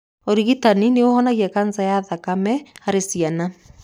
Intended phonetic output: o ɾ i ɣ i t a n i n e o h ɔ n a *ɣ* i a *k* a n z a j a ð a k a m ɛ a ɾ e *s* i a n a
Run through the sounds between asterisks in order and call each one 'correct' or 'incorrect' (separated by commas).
correct, correct, correct